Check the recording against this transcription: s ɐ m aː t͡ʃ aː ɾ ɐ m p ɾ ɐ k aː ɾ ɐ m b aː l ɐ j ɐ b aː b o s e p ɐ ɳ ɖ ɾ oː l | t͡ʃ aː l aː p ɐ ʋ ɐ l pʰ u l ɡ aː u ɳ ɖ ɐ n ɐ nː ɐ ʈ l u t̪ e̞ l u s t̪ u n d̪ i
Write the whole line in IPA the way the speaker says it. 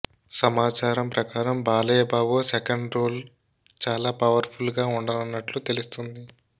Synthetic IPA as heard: s ɐ m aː t͡ʃ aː ɾ ɐ m p ɾ ɐ k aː ɾ ɐ m b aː l ɐ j ɐ b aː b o s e k ɐ ɳ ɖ ɾ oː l | t͡ʃ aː l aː p ɐ ʋ ɐ ɾ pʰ u l ɡ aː u ɳ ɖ ɐ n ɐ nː ɐ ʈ l u t̪ e̞ l u s t̪ u n d̪ i